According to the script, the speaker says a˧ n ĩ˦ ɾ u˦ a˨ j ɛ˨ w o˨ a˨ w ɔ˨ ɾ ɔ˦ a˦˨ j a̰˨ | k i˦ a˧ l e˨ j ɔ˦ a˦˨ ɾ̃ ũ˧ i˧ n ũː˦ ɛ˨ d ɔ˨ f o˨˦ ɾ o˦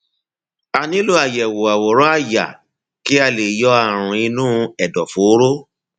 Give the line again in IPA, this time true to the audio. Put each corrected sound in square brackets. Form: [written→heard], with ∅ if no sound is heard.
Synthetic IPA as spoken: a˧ n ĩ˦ [ɾ→l] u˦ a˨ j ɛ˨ w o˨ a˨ w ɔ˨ ɾ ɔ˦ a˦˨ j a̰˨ | k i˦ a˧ l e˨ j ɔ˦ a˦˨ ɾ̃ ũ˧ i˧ n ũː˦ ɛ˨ d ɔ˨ f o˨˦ ɾ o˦